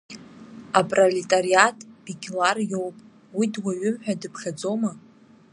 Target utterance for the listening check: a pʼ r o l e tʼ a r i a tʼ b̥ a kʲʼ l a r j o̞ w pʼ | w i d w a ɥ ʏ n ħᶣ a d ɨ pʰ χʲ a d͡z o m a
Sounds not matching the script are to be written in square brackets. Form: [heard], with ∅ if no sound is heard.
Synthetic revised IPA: a pʼ r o l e tʼ a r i a tʼ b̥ [i] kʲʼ l a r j o̞ w pʼ | w i d w a ɥ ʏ [m] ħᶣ a d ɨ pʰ χʲ a d͡z o m a